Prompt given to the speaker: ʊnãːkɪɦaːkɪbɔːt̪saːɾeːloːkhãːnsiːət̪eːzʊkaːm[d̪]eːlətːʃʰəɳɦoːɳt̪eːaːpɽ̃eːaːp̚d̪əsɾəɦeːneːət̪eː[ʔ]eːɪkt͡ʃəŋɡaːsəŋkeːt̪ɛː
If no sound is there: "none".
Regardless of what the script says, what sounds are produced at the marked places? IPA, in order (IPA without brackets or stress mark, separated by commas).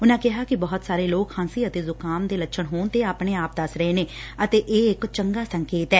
d̪, ʔ